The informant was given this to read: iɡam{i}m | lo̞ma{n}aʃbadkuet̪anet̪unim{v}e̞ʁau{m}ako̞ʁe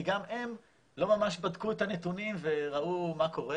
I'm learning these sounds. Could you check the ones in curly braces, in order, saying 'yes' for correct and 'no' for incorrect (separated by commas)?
no, no, yes, yes